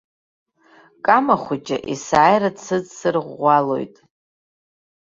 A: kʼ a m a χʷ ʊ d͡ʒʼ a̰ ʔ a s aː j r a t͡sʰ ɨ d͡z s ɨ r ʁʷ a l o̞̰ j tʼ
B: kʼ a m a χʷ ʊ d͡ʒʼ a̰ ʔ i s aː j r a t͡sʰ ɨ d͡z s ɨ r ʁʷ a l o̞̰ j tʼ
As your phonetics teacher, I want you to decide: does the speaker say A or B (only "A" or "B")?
B